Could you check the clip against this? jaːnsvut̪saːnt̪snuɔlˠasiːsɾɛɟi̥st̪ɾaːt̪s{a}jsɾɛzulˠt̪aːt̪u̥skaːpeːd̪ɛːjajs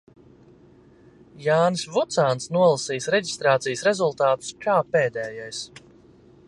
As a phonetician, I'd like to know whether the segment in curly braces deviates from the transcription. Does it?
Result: yes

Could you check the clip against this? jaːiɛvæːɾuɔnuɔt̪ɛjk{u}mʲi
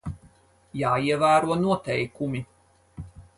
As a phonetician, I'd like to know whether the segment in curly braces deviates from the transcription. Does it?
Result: no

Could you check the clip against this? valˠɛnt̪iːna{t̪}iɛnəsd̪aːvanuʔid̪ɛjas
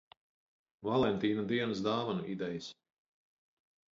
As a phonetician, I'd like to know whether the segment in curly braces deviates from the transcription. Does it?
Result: yes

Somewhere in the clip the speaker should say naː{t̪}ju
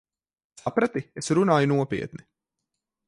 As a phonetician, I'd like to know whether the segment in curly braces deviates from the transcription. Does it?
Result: yes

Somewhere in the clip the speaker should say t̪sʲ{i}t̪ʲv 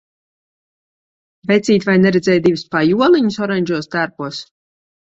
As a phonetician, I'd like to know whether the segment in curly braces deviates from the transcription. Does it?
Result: yes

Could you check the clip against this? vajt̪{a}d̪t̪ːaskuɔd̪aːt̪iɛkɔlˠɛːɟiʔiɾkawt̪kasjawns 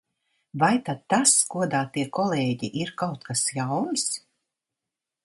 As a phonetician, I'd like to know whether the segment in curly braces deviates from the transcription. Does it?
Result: no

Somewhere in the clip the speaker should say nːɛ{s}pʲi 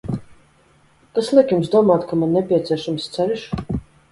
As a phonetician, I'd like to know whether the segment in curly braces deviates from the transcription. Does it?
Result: yes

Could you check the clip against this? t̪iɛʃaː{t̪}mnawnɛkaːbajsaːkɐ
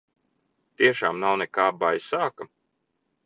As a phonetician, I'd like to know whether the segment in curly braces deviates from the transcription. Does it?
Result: yes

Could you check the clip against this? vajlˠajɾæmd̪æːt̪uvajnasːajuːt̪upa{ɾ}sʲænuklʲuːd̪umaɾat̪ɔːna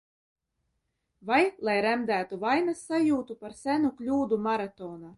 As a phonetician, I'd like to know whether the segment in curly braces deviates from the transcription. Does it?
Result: no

